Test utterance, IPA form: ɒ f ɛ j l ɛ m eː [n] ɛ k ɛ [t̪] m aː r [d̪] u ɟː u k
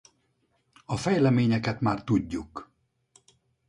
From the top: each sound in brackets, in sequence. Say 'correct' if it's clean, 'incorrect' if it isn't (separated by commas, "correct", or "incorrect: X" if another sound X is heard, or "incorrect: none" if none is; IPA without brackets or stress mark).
incorrect: ɲ, correct, incorrect: t̪